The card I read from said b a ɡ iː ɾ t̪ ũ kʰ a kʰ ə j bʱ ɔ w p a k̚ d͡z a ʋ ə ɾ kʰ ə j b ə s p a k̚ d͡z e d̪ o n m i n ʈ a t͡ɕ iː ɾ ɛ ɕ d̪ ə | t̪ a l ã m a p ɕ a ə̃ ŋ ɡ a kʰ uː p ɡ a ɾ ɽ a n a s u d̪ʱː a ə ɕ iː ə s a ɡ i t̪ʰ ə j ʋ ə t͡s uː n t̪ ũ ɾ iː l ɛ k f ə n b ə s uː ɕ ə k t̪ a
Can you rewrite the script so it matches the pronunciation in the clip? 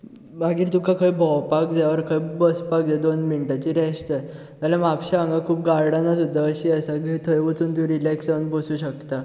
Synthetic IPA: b a ɡ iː ɾ t̪ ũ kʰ a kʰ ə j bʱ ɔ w p a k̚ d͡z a ʋ ə ɾ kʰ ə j b ə s p a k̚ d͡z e d̪ o n m i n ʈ a t͡ɕ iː ɾ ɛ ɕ t̪ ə | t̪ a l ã m a p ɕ a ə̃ ŋ ɡ a kʰ uː p ɡ a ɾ ɽ a n a s u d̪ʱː a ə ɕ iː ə s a ɡ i t̪ʰ ə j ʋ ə t͡s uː n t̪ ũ ɾ i l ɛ k s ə n b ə s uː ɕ ə k t̪ a